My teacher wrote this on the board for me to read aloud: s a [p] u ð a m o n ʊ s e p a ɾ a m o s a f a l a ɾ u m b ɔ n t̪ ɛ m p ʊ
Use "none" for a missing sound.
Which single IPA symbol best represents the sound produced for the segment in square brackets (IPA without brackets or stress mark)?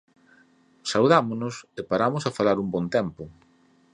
none